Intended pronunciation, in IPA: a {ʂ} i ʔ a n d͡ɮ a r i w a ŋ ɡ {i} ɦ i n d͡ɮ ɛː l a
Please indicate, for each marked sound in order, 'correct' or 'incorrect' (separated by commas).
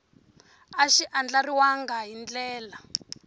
incorrect, incorrect